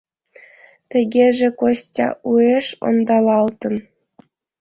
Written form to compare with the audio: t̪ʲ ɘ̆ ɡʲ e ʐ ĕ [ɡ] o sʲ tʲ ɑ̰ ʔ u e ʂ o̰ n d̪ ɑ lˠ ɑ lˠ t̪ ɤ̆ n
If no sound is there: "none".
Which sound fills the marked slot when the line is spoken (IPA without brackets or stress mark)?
k